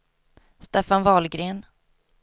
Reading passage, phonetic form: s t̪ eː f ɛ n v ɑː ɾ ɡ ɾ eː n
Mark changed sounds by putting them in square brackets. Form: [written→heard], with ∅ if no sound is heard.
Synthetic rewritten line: s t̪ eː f [ɛ→a] n v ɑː [ɾ→l] ɡ ɾ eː n